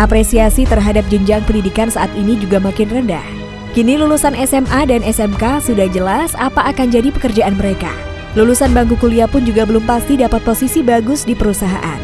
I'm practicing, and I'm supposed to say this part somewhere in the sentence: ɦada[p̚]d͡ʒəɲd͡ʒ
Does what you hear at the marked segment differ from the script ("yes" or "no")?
no